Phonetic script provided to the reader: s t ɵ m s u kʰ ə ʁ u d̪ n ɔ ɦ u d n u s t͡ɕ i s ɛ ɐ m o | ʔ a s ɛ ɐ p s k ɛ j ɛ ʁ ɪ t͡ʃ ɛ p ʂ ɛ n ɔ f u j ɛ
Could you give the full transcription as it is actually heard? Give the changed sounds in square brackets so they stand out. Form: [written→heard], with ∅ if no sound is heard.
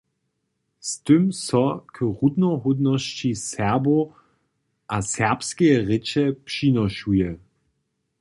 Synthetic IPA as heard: s t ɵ m s [u→ɔ] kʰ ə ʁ u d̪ n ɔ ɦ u d n [u→ɔ] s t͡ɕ i s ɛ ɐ [m→b] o | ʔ a s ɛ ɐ p s k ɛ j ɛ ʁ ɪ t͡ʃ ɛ p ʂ [ɛ→i] n ɔ [f→ʃ] u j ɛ